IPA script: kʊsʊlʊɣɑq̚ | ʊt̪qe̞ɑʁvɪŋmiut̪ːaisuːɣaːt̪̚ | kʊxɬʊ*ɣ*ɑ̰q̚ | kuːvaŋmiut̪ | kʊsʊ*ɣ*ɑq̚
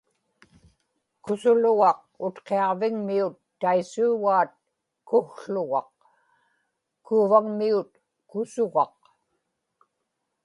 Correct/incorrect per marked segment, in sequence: correct, correct

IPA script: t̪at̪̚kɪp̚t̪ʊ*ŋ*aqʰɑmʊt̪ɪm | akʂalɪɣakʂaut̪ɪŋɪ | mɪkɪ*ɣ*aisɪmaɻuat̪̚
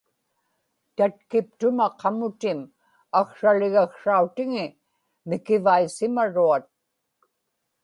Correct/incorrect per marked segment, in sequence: incorrect: m, incorrect: v

